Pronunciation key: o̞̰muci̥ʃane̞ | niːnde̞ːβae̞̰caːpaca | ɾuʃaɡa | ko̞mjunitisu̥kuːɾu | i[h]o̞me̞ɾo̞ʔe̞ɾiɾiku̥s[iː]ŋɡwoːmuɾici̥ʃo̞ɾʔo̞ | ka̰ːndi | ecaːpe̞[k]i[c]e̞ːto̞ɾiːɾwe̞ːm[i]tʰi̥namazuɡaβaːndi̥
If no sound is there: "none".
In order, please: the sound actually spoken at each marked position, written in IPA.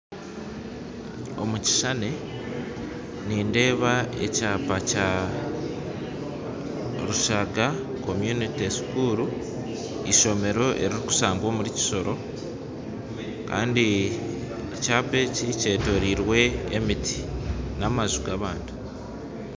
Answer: ʃ, aː, c, c, i

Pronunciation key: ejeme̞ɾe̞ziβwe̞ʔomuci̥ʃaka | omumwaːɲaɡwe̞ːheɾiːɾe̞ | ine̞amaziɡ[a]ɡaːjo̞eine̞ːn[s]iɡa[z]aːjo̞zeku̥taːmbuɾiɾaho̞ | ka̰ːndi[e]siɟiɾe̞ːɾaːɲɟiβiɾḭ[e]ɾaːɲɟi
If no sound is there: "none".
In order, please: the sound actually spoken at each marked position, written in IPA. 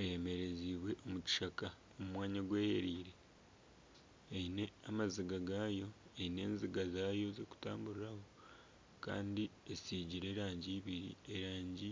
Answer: a, z, z, e, e

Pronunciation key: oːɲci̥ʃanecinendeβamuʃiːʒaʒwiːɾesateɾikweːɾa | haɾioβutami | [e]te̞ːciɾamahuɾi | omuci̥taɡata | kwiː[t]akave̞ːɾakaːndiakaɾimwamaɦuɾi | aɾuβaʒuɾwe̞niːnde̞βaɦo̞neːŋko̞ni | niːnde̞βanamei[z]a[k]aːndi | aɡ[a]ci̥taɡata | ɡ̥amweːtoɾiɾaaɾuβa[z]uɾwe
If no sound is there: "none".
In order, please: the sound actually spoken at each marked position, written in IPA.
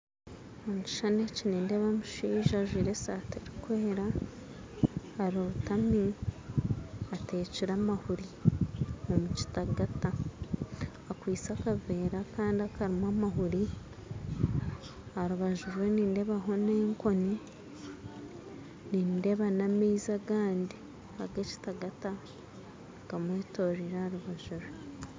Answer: a, t͡s, z, ɡ, e, ʒ

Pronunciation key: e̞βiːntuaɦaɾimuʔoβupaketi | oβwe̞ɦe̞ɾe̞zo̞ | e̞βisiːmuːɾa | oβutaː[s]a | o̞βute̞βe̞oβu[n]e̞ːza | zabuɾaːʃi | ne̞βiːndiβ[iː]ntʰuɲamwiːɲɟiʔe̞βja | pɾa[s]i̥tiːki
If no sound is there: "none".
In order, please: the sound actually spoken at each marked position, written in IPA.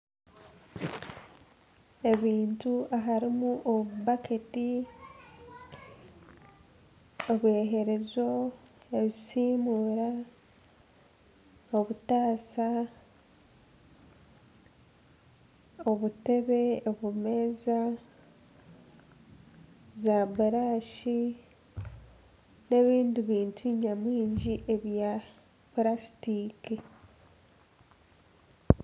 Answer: s, m, iː, s

